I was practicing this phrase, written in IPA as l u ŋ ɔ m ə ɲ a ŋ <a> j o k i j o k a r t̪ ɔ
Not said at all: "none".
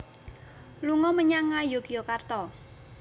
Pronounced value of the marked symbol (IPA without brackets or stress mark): a